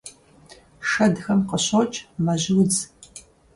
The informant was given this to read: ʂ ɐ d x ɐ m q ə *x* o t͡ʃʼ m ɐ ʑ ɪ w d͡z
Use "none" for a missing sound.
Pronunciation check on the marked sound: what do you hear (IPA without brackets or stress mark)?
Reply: ɕ